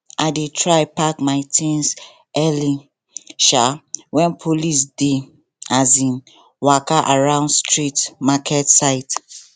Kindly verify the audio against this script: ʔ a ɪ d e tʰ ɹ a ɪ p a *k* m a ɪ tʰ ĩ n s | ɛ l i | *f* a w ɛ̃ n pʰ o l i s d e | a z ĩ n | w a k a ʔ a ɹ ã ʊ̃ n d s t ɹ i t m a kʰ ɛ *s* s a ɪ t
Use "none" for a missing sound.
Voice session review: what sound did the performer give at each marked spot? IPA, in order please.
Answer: k, ʃ, t

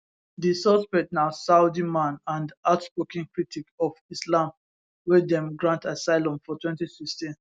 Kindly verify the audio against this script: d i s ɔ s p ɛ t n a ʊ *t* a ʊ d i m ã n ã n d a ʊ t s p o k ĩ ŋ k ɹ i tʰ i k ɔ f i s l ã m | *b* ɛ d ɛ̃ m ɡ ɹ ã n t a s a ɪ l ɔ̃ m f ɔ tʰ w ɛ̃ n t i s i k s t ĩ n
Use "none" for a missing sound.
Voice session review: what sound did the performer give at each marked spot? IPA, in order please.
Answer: s, w

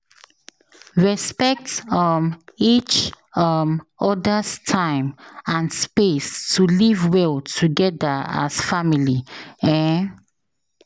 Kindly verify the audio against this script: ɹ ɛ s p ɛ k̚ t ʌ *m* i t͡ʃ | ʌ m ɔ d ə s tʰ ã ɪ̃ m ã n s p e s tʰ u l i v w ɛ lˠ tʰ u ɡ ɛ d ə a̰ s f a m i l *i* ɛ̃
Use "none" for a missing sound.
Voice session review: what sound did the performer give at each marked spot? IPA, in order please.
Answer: m, i

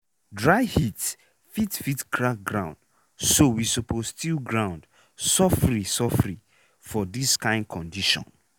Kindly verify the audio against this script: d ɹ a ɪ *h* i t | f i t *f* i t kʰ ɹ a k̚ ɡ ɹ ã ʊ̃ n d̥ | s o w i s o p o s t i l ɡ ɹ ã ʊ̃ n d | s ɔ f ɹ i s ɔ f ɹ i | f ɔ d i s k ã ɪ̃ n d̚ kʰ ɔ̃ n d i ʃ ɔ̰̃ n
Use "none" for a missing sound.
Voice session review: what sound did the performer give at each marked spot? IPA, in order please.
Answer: h, f

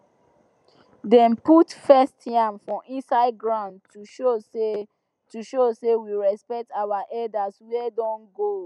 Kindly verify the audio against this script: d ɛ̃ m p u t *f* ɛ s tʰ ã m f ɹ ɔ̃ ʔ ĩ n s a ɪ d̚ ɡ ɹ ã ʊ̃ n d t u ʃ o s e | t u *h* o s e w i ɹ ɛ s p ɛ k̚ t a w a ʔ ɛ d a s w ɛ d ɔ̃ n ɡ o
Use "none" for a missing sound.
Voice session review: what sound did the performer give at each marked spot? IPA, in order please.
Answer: f, ʃ

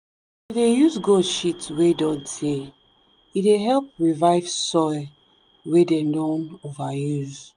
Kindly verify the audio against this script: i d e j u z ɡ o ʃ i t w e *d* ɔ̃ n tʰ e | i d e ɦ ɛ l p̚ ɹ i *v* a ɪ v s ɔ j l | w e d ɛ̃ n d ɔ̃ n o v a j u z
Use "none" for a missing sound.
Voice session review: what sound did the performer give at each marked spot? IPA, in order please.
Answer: d, v

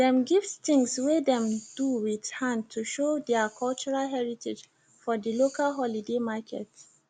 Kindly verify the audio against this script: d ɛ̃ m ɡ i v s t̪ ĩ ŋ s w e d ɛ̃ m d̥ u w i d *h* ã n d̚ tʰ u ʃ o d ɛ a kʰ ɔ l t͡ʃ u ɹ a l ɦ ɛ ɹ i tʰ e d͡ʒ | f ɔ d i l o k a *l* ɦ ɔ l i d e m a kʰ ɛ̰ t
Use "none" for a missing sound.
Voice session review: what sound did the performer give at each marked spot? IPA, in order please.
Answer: h, l

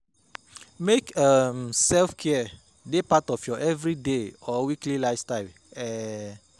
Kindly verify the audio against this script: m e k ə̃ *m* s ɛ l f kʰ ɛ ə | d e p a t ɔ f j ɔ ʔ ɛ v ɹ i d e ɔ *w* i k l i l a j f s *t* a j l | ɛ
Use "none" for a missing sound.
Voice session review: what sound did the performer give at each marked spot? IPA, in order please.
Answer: m, w, t

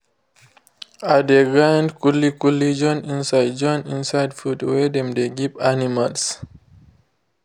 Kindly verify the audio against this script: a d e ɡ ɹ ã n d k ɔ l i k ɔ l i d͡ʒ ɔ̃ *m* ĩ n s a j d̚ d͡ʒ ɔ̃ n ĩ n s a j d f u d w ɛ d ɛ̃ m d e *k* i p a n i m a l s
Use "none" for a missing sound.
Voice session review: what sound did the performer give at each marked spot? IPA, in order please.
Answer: n, ɡ

